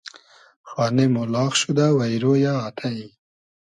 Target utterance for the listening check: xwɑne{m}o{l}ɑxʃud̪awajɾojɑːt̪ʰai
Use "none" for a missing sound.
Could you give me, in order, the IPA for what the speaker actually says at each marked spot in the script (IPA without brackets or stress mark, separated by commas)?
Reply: m, l